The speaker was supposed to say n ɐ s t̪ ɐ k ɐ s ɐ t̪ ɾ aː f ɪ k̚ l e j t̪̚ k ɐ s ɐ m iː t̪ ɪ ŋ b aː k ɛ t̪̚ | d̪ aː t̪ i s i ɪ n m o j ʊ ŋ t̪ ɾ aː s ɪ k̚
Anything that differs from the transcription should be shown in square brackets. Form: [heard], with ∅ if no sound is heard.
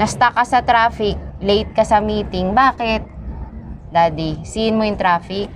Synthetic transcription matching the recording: n ɐ s t̪ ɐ k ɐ s ɐ t̪ ɾ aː f ɪ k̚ l e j t̪̚ k ɐ s ɐ m iː t̪ ɪ ŋ b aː k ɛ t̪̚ | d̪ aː [d̪] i s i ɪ n m o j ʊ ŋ t̪ ɾ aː [f] ɪ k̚